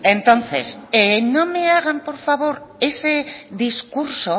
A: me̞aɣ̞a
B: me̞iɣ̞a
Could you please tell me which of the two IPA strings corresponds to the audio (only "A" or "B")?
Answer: A